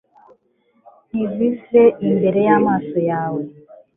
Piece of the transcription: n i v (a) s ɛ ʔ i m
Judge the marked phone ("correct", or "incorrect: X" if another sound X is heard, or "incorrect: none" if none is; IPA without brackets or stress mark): incorrect: i